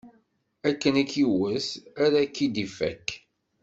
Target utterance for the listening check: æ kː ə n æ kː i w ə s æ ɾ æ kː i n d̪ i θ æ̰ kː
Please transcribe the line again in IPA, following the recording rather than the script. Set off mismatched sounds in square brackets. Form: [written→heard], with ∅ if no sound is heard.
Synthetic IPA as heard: æ kː ə n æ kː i w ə s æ ɾ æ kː i [n→∅] d̪ i [θ→f] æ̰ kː